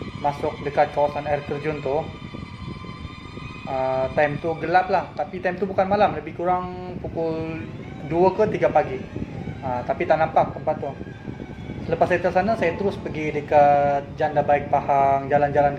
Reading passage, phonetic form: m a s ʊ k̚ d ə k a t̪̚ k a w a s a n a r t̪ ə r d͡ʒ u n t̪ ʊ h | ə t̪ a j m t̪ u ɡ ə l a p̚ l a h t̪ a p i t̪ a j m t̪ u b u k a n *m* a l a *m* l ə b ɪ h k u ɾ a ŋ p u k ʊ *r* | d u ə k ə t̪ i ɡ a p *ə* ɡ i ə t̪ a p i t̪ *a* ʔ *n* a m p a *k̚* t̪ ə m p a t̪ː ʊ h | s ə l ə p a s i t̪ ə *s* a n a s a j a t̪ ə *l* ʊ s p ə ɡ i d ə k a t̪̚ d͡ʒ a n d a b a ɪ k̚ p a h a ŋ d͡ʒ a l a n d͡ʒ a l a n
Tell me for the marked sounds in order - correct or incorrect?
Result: correct, correct, incorrect: l, incorrect: a, correct, correct, correct, correct, incorrect: ɾ

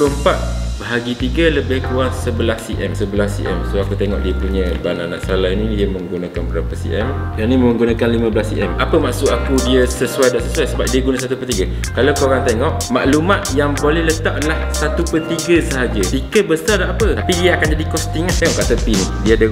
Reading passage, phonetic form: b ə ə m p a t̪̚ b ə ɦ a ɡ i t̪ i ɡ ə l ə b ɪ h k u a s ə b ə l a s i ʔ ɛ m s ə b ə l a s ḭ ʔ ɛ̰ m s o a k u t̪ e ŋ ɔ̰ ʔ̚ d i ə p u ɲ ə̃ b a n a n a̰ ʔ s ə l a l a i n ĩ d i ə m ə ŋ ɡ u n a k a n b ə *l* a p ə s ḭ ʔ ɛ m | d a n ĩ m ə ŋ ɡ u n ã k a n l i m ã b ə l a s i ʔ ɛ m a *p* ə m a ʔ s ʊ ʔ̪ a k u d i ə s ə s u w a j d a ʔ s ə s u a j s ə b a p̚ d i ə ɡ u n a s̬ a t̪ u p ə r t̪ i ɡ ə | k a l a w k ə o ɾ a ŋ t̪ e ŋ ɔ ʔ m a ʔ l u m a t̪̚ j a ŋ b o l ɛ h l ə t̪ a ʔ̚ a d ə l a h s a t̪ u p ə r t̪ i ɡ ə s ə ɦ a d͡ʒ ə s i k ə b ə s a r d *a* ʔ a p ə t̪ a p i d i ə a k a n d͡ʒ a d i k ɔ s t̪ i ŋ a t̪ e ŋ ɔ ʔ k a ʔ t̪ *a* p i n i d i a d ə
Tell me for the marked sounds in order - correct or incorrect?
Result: incorrect: ɾ, correct, correct, incorrect: ə

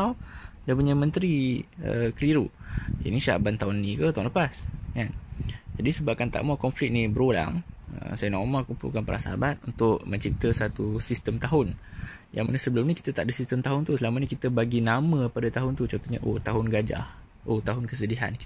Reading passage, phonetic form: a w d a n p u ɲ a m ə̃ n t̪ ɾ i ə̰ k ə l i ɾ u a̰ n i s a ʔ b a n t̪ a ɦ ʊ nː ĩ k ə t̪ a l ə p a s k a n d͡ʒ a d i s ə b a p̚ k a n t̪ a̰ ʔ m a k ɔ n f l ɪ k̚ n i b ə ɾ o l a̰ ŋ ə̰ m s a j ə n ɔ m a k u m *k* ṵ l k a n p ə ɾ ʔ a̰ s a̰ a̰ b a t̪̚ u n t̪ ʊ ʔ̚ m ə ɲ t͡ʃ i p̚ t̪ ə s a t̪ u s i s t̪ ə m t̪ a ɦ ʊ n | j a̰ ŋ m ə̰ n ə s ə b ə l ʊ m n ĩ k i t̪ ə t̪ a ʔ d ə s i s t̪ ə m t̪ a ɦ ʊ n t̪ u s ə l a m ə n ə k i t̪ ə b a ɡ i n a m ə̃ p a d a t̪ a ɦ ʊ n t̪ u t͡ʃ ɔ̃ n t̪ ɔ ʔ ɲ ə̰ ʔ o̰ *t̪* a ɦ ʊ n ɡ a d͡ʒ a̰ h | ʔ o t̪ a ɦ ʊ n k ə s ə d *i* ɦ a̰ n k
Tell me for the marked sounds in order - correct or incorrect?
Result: incorrect: p, correct, correct

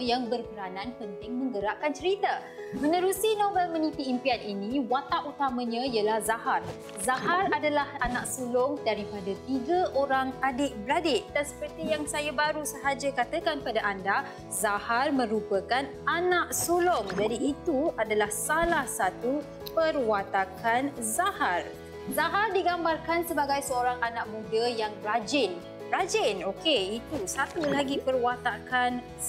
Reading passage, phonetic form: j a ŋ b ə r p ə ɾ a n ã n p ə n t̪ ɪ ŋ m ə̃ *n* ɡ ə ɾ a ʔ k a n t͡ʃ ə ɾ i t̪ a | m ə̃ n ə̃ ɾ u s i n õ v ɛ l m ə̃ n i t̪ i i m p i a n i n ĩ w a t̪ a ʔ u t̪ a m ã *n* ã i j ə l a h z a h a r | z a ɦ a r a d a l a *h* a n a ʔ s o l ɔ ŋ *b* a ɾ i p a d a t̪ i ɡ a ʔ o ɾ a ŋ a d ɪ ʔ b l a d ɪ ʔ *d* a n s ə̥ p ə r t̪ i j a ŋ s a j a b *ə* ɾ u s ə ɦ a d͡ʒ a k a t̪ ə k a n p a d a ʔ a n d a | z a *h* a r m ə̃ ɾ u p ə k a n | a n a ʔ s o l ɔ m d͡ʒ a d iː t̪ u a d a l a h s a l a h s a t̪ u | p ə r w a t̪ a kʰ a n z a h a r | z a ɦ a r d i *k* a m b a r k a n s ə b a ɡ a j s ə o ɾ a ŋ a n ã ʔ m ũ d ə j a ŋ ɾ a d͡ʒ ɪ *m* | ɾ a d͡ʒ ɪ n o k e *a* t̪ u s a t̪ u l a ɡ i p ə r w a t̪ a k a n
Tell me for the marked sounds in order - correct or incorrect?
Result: incorrect: ŋ, incorrect: ɲ, correct, incorrect: d, correct, incorrect: a, correct, incorrect: ɡ, incorrect: n, incorrect: i

